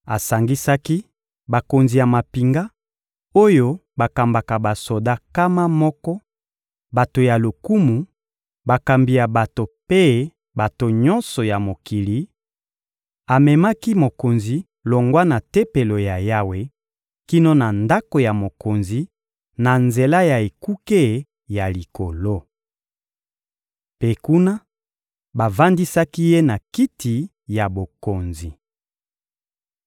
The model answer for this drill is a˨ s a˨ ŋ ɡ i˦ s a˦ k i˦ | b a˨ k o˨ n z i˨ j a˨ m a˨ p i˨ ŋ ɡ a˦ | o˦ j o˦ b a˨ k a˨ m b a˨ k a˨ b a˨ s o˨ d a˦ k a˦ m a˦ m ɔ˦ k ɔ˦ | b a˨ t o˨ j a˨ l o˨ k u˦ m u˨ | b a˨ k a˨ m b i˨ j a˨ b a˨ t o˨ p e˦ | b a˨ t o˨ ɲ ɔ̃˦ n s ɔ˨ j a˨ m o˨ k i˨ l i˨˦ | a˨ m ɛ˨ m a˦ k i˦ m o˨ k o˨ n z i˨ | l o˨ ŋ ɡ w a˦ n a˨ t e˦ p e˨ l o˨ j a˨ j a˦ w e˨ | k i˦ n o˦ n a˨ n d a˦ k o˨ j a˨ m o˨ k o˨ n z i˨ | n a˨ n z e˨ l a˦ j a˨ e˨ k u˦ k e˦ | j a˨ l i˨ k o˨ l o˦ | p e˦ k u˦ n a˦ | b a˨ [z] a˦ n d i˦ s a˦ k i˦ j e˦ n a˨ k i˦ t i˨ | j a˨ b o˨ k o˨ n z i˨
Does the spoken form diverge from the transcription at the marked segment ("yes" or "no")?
yes